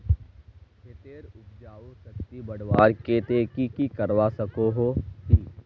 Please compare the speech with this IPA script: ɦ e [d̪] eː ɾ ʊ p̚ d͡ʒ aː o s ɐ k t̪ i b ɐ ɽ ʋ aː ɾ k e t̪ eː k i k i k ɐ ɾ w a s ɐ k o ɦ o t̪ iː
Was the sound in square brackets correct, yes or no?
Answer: no